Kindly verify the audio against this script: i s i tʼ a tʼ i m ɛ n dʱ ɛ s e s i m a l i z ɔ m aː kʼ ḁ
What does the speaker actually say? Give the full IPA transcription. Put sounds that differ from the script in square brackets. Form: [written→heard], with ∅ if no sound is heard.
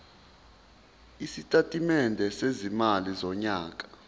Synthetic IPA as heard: i s i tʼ a tʼ i m ɛ n dʱ ɛ s e [s→z] i m a l i z ɔ [m→ɲ] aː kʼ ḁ